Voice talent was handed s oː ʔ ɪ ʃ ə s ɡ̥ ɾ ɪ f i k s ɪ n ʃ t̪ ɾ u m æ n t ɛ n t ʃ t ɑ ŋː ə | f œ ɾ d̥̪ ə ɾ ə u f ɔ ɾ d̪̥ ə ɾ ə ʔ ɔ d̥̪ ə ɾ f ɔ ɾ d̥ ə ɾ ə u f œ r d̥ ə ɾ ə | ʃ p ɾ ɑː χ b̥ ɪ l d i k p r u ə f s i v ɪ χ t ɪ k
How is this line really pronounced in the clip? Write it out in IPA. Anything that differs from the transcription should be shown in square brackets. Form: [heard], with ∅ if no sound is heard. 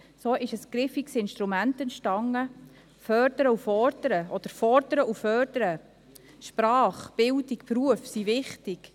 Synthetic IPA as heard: s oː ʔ ɪ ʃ ə s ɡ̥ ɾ ɪ f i k s ɪ n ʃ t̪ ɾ u m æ n t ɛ n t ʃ t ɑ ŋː ə | f œ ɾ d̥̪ ə ɾ ə u f ɔ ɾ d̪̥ ə ɾ ə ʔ ɔ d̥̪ ə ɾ f ɔ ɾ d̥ ə ɾ ə u f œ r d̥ ə ɾ ə | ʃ p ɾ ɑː χ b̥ ɪ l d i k p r u ə f s i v ɪ χ t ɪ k

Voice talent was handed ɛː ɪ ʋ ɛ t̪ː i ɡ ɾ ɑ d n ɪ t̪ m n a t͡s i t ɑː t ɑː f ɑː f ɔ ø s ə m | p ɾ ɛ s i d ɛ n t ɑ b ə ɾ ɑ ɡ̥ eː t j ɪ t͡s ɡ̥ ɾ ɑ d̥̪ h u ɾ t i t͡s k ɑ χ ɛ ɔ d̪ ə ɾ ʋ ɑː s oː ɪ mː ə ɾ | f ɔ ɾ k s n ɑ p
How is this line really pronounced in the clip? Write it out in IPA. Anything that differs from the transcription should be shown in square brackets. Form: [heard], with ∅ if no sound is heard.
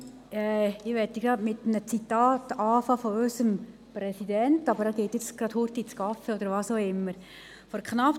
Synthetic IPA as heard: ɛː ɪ ʋ ɛ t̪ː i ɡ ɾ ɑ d [m] ɪ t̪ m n [ə] t͡s i t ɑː t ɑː f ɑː f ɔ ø s ə m | p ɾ ɛ s i d ɛ n t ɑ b ə ɾ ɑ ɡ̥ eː t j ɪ t͡s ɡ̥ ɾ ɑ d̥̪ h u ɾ t i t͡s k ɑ [f] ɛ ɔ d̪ ə ɾ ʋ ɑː s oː ɪ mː ə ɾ | f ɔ ɾ k [χ] n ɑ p

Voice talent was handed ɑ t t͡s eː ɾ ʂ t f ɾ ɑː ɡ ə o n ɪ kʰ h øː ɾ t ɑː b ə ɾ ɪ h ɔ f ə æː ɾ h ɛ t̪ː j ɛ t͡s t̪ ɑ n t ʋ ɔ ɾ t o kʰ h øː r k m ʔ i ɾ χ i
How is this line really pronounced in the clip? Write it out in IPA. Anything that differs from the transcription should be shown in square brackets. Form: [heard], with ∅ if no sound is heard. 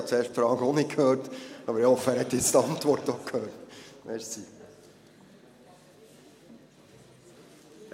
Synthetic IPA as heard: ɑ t t͡s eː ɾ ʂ t f ɾ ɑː ɡ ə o n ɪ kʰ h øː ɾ t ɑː b ə ɾ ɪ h ɔ f ə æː ɾ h ɛ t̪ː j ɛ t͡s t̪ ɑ n t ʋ ɔ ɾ t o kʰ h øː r [t] m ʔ [ɛ] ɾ [s] i

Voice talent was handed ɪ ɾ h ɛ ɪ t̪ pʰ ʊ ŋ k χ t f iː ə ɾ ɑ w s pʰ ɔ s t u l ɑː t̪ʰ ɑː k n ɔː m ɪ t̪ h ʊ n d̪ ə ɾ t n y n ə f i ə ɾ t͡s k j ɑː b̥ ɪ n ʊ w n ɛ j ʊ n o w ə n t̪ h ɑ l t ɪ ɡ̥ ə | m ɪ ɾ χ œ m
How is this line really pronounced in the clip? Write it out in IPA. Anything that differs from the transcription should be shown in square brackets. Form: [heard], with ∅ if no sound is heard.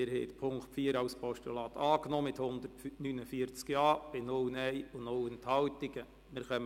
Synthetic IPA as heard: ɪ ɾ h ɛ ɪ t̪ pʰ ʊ ŋ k χ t f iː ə ɾ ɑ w s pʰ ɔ [ʃ] t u l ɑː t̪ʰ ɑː k n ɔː m ɪ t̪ h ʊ n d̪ ə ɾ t n y n ə f i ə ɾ t͡s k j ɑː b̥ ɪ n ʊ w n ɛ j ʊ n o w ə n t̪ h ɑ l t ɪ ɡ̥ ə | m ɪ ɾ χ œ m

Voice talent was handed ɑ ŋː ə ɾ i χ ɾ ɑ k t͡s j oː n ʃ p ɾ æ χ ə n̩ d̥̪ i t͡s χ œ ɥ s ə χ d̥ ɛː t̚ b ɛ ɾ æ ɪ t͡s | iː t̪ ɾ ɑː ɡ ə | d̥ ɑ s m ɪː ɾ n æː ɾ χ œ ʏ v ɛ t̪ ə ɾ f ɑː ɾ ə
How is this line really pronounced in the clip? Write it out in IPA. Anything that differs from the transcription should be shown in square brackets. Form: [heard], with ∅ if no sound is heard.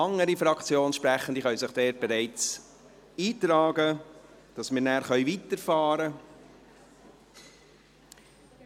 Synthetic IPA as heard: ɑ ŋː ə ɾ i [f] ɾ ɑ k t͡s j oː n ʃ p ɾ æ χ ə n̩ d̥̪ i [∅] χ œ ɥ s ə χ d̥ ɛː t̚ b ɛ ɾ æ ɪ t͡s | iː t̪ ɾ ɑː ɡ ə | d̥ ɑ s m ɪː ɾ n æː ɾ χ œ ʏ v [i] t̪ ə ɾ f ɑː ɾ ə

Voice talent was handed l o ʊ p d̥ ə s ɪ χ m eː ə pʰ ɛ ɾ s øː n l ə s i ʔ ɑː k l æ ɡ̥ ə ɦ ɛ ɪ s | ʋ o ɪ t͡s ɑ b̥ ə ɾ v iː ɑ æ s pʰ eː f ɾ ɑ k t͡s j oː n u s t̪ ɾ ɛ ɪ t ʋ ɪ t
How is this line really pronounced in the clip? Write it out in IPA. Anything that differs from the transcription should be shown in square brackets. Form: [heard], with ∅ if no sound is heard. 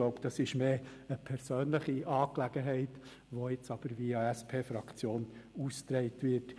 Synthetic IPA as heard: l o ʊ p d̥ [ɑ] s ɪ [ʃ] m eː ə pʰ ɛ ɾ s øː n l ə [χ] i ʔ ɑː k l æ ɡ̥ ə ɦ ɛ ɪ [t] | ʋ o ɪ t͡s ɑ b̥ ə ɾ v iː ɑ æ s pʰ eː f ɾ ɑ k t͡s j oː n u s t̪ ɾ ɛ ɪ t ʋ ɪ t

